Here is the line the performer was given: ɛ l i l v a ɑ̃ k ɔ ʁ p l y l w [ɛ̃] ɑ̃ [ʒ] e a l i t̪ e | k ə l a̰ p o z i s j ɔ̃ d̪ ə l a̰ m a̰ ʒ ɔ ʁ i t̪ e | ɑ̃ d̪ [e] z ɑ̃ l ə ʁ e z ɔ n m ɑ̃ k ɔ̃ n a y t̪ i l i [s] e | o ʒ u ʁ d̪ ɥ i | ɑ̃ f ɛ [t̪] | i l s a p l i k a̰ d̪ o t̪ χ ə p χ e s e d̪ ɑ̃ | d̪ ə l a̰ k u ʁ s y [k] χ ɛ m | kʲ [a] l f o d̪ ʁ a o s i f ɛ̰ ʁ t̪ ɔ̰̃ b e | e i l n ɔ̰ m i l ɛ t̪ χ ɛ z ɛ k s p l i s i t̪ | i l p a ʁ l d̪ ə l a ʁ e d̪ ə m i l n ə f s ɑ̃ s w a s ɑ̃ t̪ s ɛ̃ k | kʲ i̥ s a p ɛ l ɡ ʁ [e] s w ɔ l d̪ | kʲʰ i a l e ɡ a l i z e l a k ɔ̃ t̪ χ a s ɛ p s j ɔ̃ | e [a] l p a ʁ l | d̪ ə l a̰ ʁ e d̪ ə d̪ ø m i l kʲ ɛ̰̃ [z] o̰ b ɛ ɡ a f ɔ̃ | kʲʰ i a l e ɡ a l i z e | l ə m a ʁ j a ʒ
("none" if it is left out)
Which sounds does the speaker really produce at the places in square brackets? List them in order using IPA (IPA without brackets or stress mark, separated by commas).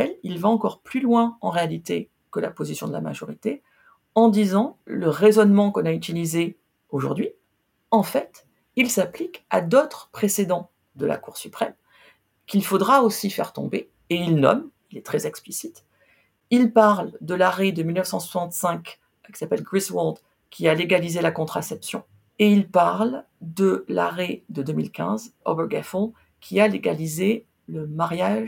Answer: ɛ̃, ʁ, i, z, t̪, p, i, i, i, z